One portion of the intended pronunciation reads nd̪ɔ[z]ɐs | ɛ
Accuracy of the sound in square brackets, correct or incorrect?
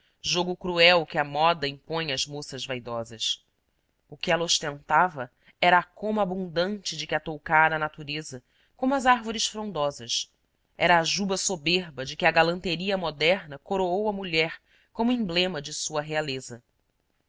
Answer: correct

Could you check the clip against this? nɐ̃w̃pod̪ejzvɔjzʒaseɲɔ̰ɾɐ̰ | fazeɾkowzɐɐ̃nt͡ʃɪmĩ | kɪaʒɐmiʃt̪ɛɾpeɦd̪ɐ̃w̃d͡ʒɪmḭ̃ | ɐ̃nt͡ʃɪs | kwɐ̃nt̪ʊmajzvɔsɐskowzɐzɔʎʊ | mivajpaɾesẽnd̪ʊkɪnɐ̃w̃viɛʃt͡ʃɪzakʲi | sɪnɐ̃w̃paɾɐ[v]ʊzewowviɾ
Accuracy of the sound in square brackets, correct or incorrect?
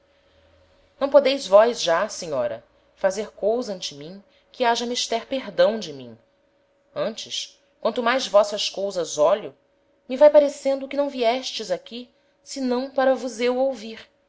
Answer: correct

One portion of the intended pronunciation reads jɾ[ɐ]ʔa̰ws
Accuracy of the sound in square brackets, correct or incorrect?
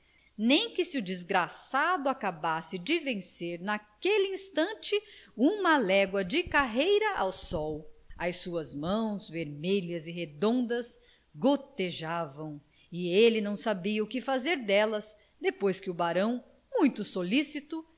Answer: correct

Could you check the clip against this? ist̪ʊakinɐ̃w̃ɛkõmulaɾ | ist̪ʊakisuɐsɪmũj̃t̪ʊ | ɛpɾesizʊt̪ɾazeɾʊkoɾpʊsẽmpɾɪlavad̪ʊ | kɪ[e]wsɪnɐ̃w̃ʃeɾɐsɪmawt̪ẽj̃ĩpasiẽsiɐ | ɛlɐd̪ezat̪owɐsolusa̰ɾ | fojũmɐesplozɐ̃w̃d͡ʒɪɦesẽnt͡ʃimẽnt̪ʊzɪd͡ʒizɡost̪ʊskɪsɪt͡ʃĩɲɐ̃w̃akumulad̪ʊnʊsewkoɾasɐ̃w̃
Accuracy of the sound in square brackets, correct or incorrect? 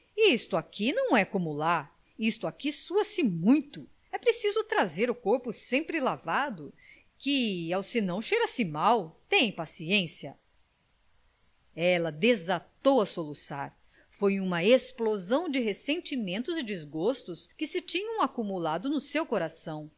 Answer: incorrect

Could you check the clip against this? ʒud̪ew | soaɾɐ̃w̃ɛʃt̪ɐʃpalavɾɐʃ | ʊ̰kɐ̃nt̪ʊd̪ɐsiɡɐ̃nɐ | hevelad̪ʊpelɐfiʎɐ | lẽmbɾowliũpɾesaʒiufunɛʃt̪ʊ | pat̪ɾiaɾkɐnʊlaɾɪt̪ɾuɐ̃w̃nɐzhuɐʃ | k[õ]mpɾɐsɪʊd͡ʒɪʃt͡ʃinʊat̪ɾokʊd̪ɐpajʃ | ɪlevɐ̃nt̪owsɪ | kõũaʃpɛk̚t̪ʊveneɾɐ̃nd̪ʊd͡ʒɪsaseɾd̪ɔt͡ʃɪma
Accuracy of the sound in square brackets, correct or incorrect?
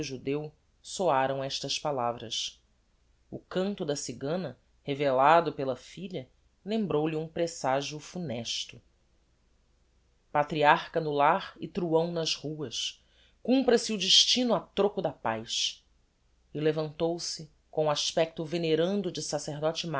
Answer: incorrect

